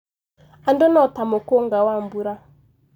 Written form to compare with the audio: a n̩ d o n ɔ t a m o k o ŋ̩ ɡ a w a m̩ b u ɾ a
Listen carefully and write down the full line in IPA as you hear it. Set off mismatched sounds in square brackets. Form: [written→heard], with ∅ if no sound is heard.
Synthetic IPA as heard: a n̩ d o n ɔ t a m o k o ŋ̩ ɡ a w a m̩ b u ɾ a